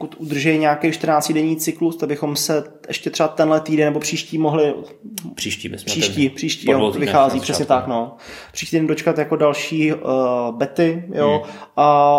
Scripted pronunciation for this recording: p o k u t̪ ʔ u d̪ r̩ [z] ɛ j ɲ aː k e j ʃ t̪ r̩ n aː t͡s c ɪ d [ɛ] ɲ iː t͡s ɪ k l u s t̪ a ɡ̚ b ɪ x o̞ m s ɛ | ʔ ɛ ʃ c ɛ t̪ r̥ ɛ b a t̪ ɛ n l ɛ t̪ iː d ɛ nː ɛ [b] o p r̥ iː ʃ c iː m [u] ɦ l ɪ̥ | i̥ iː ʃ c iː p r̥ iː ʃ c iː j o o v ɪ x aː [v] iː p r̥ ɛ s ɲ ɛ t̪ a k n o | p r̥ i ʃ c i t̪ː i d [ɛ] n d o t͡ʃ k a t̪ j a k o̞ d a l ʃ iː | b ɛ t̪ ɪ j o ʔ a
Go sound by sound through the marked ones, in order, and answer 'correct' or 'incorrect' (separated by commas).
incorrect, correct, correct, incorrect, incorrect, correct